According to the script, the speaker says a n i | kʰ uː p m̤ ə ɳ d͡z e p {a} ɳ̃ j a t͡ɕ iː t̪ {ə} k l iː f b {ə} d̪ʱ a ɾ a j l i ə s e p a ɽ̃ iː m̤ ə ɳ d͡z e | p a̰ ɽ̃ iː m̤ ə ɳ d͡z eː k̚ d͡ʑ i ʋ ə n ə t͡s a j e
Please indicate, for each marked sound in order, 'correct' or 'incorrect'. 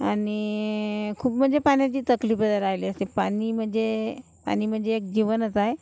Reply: correct, correct, correct

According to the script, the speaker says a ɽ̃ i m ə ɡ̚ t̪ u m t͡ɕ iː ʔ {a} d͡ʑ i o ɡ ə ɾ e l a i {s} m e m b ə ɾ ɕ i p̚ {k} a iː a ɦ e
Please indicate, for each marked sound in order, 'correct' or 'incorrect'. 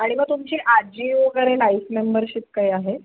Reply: correct, incorrect, correct

